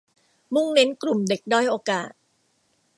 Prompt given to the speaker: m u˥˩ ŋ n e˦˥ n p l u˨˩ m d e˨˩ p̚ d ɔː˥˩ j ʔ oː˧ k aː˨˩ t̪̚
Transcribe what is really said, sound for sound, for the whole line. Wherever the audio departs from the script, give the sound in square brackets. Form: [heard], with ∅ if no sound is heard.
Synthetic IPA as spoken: m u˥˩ ŋ n e˦˥ n [k] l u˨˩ m d e˨˩ [k̚] d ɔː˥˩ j ʔ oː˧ k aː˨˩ t̪̚